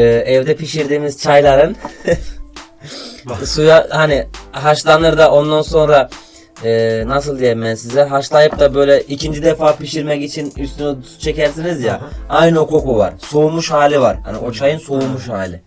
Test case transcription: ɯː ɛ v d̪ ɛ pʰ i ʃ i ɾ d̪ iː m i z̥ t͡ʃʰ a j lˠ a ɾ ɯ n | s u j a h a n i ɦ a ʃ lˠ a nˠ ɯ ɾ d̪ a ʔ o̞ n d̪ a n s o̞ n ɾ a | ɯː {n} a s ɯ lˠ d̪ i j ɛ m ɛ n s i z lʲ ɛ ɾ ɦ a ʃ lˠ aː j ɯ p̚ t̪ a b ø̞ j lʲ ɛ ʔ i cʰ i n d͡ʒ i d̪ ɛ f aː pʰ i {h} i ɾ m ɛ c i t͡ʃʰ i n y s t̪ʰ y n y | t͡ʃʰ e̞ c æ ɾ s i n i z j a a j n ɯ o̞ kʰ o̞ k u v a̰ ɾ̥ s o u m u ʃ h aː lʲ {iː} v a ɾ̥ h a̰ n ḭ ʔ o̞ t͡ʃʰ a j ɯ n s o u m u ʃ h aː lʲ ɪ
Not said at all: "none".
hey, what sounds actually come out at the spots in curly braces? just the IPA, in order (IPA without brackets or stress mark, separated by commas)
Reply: n, ʃ, i